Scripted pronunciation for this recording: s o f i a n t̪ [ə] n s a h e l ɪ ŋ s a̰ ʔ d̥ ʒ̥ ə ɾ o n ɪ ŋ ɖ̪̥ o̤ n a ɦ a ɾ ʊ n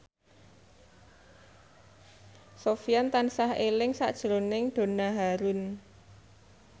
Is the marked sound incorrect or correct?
incorrect